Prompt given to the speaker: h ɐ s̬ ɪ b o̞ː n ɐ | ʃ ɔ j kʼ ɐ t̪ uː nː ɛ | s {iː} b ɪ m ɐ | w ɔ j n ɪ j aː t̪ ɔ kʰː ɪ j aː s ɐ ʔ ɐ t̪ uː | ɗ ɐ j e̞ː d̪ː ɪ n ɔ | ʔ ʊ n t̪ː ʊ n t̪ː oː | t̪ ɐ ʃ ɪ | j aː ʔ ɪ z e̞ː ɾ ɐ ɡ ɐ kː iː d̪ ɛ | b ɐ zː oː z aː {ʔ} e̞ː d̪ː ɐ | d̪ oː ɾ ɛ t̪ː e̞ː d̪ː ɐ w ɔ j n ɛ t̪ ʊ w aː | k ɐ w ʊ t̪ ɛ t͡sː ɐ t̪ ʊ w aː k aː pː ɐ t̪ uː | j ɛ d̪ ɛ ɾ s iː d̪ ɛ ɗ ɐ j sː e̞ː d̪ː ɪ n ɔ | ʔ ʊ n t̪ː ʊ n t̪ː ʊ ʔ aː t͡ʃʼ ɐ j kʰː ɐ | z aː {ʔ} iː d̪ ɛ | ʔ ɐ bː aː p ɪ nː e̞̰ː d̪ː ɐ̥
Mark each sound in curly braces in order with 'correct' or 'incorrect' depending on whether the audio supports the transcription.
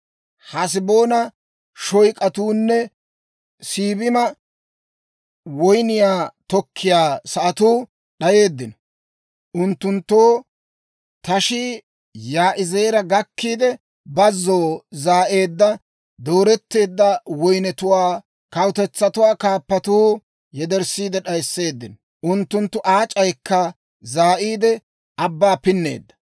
correct, correct, correct

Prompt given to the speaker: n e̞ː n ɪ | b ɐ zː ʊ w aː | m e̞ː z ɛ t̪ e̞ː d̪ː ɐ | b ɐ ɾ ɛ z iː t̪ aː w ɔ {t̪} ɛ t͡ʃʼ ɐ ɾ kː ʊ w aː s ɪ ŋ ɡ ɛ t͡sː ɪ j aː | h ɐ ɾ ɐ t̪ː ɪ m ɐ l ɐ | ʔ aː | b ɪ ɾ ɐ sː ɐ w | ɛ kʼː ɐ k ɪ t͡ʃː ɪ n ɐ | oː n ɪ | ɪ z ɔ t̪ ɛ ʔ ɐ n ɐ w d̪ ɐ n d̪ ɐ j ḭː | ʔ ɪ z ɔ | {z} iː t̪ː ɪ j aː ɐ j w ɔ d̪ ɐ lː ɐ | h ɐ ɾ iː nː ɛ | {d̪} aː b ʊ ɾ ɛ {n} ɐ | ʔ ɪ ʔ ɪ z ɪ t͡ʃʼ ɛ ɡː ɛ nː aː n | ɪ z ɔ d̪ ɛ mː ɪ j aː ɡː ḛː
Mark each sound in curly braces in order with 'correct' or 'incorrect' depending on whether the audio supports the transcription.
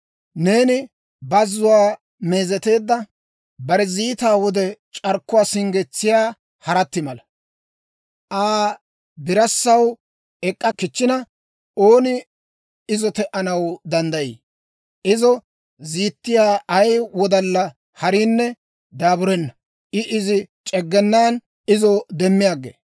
incorrect: d̪, correct, correct, incorrect: nː

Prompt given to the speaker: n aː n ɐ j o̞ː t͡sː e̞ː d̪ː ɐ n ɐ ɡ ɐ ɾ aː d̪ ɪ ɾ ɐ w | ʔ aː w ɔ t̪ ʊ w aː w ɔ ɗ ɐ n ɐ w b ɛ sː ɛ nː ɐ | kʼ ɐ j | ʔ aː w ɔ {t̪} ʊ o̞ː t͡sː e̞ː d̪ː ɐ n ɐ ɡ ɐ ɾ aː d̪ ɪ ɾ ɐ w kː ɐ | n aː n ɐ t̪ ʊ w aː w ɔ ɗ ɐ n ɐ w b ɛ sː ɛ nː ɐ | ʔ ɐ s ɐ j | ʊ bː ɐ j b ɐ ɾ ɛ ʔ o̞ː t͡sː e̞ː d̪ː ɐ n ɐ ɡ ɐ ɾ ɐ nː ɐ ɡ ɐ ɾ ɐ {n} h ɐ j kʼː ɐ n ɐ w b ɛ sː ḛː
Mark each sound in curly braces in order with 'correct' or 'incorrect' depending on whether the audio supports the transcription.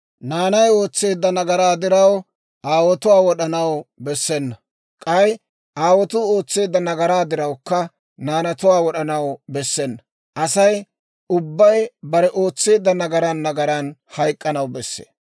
correct, correct

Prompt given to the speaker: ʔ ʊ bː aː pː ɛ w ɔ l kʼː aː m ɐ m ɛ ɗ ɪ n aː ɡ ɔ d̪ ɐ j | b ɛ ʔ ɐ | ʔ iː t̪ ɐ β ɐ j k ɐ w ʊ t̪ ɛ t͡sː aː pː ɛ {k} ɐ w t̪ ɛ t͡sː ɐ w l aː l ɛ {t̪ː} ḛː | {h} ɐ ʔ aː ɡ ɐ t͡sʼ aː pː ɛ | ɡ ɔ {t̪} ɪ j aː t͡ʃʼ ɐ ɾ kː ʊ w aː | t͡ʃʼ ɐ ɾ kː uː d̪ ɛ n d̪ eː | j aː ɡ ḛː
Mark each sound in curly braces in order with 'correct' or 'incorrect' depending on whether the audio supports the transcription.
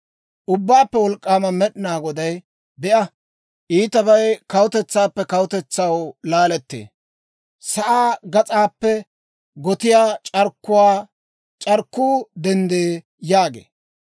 correct, correct, incorrect: s, correct

